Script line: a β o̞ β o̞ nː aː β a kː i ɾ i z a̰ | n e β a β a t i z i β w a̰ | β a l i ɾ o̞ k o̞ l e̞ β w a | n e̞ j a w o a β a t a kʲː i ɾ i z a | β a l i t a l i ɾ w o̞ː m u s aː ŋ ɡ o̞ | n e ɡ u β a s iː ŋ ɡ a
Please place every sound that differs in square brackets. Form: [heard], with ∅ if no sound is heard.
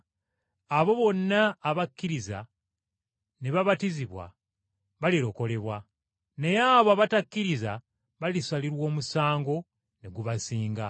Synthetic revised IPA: a β o̞ β o̞ nː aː β a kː i ɾ i z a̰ | n e β a β a t i z i β w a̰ | β a l i ɾ o̞ k o̞ l e̞ β w a | n e̞ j a [β] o a β a t a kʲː i ɾ i z a | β a l i [s] a l i ɾ w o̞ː m u s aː ŋ ɡ o̞ | n e ɡ u β a s iː ŋ ɡ a